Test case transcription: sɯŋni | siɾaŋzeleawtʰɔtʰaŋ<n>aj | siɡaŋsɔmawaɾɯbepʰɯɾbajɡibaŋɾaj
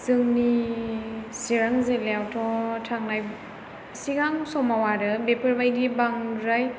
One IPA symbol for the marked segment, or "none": n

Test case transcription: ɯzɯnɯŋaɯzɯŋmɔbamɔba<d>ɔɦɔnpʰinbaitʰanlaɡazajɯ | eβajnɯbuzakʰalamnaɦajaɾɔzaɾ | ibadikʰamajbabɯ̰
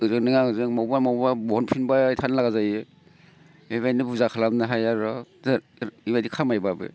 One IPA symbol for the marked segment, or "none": b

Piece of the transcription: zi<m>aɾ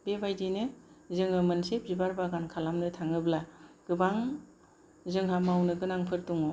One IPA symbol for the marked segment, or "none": b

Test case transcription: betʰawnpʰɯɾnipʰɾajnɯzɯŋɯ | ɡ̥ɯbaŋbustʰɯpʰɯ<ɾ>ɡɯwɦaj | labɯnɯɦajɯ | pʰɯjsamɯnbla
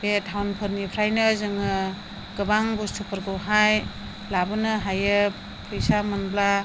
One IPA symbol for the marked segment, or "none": ɾ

